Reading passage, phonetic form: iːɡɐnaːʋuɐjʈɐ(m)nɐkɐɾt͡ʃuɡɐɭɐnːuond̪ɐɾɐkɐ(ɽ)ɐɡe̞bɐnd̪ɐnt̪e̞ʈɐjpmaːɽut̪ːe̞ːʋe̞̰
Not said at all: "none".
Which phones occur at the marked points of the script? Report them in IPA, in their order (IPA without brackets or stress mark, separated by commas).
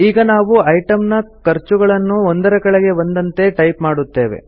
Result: m, ɭ